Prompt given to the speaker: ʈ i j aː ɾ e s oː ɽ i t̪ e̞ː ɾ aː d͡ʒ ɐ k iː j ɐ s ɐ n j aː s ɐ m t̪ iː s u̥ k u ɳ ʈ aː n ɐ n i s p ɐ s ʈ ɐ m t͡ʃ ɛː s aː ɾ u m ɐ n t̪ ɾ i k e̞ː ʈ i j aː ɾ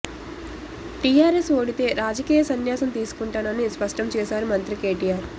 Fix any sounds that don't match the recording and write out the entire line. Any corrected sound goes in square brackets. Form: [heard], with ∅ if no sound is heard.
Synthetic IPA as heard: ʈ i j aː ɾ e s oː ɽ i t̪ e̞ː ɾ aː d͡ʒ ɐ k iː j ɐ s ɐ n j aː s ɐ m t̪ iː s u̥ k u ɳ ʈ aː n ɐ n i s p ɐ [ʂ] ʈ ɐ m t͡ʃ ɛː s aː ɾ u m ɐ n t̪ ɾ i k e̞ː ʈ i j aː ɾ